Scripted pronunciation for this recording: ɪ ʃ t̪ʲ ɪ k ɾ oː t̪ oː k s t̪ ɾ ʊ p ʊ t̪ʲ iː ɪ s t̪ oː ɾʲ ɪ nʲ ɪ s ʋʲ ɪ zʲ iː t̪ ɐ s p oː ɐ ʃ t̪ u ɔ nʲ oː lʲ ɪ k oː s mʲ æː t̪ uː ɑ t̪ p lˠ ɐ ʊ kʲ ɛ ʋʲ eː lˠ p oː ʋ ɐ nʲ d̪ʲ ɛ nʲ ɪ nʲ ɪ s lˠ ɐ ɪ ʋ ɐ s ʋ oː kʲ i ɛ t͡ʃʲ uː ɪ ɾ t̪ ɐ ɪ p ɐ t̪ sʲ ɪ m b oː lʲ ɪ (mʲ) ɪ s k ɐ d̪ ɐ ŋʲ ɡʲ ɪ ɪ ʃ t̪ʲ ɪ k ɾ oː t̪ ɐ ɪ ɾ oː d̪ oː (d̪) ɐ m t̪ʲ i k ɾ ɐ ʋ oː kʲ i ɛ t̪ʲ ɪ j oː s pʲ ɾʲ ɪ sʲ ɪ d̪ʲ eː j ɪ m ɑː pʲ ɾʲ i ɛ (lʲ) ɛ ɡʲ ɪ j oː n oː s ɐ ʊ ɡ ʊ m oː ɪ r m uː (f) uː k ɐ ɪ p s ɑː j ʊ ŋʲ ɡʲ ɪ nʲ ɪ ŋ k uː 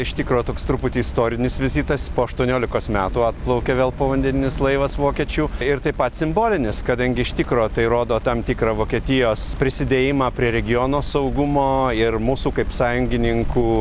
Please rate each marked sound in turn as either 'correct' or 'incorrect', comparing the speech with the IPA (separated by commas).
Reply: incorrect, incorrect, incorrect, incorrect